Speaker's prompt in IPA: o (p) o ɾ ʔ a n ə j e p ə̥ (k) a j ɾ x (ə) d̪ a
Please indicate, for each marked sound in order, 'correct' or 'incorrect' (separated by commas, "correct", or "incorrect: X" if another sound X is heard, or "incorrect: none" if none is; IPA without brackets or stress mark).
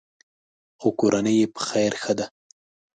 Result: incorrect: k, incorrect: x, correct